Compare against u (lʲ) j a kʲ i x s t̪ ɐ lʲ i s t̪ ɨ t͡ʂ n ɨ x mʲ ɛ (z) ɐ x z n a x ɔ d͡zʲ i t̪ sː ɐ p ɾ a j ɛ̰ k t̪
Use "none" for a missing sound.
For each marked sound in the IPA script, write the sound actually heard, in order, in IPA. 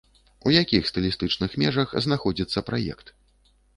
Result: none, ʐ

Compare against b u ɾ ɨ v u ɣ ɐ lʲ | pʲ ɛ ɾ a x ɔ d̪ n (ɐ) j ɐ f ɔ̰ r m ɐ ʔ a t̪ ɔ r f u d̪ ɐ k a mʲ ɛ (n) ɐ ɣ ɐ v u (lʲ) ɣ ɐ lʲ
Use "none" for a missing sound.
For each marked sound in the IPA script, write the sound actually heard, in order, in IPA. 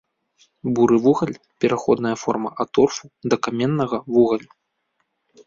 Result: ɐ, nː, none

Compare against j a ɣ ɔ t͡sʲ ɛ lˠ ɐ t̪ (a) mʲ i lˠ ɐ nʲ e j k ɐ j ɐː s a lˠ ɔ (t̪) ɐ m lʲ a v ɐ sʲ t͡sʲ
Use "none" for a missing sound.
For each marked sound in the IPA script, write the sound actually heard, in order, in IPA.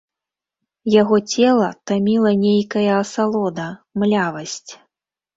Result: a, d̪

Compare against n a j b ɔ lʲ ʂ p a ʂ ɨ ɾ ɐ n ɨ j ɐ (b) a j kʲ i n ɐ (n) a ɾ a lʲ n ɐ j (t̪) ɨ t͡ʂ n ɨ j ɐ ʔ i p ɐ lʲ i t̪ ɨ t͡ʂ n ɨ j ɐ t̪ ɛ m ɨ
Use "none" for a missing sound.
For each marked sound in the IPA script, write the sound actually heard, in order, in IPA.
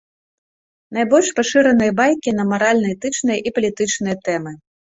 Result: b, m, t̪

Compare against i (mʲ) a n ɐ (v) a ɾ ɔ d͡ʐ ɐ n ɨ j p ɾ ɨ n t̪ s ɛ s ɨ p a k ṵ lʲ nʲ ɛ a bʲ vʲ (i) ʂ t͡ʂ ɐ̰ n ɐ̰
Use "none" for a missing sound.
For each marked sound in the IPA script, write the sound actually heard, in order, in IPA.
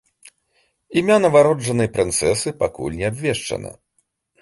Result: mʲ, v, ɛ

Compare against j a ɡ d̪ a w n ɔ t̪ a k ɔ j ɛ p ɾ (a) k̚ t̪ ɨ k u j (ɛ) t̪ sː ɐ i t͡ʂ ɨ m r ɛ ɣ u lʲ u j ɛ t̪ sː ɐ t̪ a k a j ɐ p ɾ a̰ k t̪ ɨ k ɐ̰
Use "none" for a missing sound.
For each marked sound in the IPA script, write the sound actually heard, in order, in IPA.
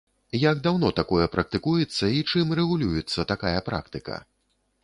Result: ɐ, ɛ

